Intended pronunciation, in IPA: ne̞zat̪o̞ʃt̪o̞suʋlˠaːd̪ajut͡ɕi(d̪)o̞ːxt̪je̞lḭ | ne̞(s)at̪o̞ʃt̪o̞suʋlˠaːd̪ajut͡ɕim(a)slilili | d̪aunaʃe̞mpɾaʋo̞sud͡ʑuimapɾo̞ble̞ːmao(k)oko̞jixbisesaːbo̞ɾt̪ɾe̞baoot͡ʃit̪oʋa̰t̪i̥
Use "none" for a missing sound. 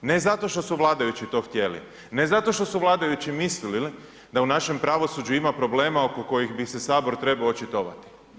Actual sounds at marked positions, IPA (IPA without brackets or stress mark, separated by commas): t̪, z, i, k